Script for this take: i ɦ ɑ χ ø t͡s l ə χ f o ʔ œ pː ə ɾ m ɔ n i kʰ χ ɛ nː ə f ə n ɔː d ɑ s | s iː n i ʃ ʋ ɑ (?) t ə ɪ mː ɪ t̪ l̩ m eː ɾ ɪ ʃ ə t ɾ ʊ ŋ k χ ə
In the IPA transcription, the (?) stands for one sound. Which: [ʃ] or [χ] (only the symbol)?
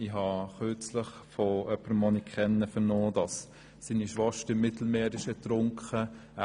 ʃ